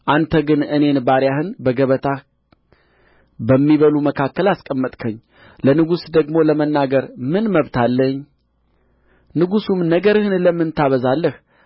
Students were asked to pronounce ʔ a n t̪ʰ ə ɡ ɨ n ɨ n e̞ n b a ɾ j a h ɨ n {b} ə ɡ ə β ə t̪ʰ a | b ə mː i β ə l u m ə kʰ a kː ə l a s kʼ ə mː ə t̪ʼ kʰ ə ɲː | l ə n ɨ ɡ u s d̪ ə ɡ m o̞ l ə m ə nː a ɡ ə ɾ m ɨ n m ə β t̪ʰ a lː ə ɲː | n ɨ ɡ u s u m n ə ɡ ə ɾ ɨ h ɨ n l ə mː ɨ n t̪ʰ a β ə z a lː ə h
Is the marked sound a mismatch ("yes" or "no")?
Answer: no